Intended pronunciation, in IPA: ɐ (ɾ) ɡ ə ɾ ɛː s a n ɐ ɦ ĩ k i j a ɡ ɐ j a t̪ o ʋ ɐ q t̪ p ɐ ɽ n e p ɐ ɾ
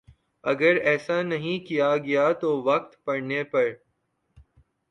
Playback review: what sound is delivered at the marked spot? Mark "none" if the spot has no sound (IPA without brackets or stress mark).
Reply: none